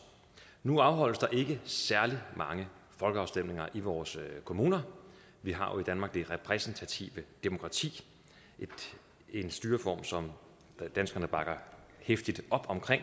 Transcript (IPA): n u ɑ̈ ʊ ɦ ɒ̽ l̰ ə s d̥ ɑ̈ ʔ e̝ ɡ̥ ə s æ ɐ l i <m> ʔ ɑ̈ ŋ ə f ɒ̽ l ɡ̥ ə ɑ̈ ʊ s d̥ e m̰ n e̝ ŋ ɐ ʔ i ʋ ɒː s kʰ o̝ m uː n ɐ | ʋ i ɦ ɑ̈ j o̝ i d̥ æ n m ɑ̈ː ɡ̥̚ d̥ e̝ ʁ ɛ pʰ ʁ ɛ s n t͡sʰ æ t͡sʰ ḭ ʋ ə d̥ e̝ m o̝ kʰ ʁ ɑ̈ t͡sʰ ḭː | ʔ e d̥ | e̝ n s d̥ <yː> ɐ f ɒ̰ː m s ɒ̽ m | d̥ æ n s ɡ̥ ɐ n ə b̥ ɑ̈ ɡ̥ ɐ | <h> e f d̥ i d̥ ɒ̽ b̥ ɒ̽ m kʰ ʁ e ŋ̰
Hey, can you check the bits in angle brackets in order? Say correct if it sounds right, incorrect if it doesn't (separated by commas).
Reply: correct, correct, correct